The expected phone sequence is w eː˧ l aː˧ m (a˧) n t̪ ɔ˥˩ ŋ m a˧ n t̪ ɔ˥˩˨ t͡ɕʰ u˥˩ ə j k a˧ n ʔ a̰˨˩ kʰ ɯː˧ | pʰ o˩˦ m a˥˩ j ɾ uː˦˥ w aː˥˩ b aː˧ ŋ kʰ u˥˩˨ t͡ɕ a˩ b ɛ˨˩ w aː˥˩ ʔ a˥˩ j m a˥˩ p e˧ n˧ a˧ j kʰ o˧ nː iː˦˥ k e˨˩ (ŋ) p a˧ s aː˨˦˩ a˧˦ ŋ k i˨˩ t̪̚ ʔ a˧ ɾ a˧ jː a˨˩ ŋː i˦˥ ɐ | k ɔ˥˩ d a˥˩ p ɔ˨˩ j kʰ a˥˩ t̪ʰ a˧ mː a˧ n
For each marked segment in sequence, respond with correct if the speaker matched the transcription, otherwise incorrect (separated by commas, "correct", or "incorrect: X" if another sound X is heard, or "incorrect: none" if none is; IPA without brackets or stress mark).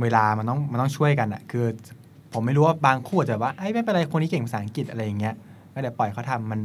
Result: correct, correct